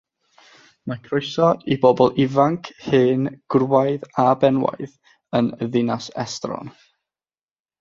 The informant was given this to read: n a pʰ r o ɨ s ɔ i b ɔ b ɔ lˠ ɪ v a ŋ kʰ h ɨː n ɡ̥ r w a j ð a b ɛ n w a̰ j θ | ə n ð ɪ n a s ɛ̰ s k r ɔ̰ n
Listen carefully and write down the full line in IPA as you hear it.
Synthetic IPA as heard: m a kʰ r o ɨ s ɔ i b ɔ b ɔ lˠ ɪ v a ŋ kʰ h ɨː n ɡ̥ r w a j ð a b ɛ n w a̰ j ð | ə n ð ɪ n a s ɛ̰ s t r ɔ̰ n